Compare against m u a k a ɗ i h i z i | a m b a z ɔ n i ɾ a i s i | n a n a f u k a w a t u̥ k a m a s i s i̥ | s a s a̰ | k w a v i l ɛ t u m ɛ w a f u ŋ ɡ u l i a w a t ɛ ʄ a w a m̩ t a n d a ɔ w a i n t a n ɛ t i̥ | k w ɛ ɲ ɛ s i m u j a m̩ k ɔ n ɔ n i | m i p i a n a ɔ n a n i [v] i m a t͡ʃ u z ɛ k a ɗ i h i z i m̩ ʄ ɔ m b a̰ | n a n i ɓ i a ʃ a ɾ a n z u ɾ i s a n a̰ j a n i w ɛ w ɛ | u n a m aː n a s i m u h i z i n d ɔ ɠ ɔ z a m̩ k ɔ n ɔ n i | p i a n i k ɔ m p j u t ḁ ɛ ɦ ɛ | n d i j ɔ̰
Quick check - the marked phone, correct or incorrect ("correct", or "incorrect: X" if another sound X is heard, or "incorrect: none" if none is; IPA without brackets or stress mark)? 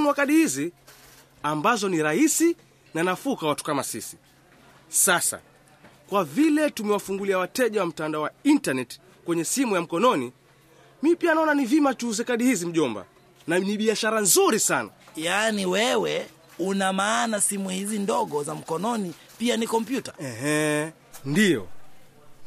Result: correct